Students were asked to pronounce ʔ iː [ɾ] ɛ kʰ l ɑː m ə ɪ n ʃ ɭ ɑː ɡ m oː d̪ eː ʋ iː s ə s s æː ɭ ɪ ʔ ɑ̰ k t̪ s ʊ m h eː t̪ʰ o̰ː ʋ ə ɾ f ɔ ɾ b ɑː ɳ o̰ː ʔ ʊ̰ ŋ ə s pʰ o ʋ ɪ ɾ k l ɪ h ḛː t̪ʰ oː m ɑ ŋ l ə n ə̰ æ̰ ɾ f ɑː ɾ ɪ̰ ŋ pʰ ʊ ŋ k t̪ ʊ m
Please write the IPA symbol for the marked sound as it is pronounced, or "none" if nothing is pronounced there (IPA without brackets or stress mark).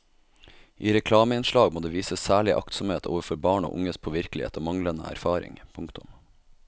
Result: ɾ